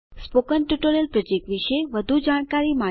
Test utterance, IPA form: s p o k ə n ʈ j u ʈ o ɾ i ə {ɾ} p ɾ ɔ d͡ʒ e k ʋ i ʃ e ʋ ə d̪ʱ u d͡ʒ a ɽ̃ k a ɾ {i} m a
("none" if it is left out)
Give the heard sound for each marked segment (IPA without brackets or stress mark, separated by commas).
l, i